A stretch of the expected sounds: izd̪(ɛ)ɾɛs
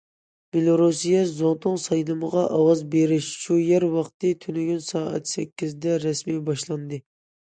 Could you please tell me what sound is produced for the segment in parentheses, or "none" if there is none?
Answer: ɛ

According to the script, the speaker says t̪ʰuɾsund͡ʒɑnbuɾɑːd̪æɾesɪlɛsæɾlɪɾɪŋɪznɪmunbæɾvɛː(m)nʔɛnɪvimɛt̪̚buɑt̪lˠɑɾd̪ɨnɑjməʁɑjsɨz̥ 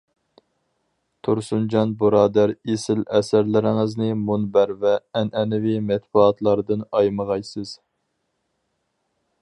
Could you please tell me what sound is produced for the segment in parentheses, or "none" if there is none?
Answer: none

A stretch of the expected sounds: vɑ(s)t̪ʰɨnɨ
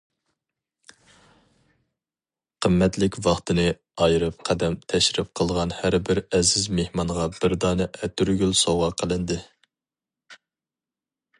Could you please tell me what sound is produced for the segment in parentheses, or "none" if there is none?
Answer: χ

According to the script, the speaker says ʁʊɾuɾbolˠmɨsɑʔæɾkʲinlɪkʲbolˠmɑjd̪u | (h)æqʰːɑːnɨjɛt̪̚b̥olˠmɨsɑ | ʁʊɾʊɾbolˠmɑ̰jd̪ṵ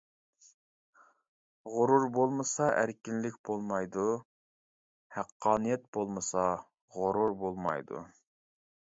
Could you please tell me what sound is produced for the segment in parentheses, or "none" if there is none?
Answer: h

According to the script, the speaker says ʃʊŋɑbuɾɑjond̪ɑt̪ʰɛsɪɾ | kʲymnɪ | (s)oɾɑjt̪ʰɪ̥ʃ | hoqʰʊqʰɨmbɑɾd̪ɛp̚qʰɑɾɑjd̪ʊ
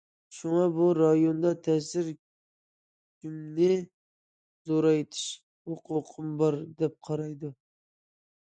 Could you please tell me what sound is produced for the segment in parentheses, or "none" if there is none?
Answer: z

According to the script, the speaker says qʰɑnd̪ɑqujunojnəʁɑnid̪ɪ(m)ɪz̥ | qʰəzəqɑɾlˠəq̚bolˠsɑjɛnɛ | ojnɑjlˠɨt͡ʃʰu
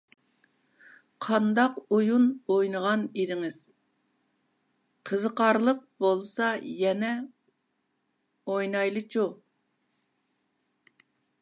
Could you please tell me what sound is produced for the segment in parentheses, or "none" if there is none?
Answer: ŋ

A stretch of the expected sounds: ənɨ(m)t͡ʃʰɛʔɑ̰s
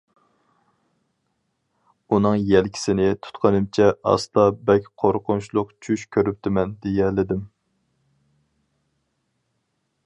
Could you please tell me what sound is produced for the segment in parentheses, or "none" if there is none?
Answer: m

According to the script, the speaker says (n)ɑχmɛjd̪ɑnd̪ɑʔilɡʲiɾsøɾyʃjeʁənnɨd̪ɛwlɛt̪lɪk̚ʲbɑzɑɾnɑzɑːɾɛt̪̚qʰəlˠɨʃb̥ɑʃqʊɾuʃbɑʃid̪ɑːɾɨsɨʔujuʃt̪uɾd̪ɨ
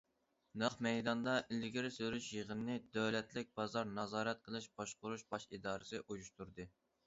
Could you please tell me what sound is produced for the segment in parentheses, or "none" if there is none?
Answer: n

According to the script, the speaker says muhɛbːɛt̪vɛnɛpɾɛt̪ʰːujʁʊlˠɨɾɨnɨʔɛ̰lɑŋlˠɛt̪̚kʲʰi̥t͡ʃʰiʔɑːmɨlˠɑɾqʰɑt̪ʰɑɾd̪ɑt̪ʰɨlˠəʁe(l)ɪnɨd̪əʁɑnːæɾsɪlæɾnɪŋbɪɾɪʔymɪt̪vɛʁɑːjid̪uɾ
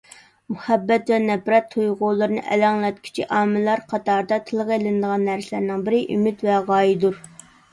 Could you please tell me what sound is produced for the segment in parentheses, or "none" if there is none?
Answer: l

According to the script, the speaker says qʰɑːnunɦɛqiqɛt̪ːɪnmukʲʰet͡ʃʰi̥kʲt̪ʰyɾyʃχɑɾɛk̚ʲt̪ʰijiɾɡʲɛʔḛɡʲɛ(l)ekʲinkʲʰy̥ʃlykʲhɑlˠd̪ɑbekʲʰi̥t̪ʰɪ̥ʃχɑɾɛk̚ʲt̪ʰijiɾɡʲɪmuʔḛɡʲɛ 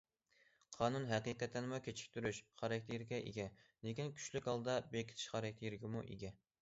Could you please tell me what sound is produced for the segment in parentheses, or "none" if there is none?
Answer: l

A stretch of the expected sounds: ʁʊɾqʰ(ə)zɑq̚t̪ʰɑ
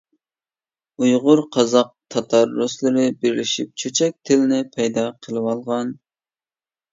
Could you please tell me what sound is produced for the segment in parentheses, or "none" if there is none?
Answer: ɑ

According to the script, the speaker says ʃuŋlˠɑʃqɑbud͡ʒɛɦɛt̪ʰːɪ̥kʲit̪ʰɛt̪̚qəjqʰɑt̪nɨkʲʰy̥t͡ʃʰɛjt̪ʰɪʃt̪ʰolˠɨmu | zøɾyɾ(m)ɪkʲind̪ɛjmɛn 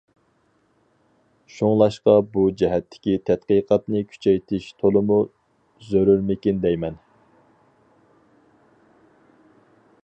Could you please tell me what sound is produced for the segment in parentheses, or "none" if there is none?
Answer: m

